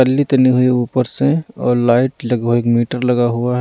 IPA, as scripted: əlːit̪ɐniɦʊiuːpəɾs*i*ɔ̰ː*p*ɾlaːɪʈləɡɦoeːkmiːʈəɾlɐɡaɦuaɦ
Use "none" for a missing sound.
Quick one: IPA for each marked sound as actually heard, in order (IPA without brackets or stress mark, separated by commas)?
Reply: e, none